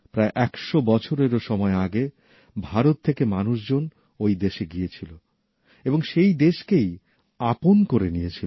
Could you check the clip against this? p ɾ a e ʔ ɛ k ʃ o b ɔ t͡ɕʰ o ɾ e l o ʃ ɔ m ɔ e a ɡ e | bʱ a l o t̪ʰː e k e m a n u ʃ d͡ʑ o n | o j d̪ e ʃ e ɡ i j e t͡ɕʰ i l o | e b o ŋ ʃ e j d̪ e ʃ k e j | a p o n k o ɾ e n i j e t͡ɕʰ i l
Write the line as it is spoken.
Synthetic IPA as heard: p ɾ a e ʔ ɛ k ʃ o b ɔ t͡ɕʰ o ɾ e ɾ o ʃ ɔ m ɔ e a ɡ e | bʱ a ɾ o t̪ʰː e k e m a n u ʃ d͡ʑ o n | o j d̪ e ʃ e ɡ i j e t͡ɕʰ i l o | e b o ŋ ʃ e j d̪ e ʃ k e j | a p o n k o ɾ e n i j e t͡ɕʰ i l